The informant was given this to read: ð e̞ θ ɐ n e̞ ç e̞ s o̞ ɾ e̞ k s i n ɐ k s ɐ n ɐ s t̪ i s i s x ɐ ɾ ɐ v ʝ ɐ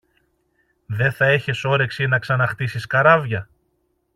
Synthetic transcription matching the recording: ð e̞ θ ɐ e̞ ç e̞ s o̞ ɾ e̞ k s i n ɐ k s ɐ n ɐ x t̪ i s i s k ɐ ɾ ɐ v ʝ ɐ